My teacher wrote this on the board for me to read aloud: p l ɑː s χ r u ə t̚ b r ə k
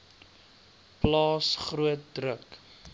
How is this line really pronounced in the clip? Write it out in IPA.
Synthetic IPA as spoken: p l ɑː s χ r u ə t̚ d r ə k